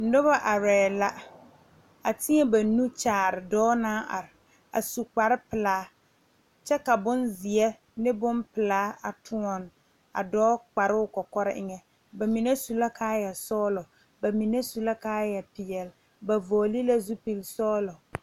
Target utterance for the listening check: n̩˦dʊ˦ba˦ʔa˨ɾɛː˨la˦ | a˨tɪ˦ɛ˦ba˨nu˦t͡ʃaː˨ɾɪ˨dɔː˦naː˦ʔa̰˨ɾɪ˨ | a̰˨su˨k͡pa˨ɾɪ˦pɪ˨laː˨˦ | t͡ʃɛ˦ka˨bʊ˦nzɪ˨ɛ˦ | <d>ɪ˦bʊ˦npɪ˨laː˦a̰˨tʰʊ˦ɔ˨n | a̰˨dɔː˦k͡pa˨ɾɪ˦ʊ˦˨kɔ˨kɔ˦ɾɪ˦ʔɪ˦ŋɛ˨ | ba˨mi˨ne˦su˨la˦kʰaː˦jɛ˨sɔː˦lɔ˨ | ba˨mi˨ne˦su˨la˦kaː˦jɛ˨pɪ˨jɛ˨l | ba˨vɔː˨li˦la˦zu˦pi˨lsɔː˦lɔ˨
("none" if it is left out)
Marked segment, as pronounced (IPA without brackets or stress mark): n